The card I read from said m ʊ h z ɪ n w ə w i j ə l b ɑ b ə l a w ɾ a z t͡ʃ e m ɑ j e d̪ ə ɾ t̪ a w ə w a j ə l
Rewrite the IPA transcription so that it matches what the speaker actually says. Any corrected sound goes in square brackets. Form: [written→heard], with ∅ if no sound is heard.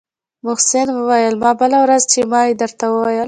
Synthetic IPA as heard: m ʊ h [z→s] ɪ n w ə w [i→a] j ə l [b→m] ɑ b ə l a w ɾ a z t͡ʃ e m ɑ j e d̪ ə ɾ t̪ a w ə w a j ə l